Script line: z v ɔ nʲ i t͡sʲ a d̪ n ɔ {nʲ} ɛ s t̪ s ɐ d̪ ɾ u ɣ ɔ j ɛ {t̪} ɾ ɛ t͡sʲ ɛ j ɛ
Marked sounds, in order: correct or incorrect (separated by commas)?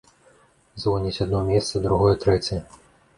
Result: incorrect, correct